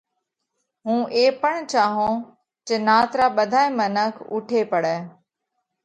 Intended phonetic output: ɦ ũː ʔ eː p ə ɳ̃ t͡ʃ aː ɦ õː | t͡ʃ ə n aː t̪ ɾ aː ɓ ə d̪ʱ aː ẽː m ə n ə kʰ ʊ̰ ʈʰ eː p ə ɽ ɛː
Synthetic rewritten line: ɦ ũː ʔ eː p ə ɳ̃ t͡ʃ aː ɦ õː | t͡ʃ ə n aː t̪ ɾ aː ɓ ə d̪ʱ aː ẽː m ə n ə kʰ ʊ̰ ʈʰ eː p ə ɽ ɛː